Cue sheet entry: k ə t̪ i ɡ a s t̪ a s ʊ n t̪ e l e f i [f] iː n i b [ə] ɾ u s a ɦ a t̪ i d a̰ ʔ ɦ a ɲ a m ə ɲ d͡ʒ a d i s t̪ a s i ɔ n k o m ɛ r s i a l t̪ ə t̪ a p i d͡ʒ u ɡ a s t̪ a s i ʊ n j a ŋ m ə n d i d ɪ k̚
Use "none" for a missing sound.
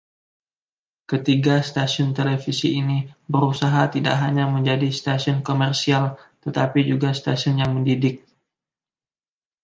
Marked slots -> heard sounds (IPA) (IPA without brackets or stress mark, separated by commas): s, ə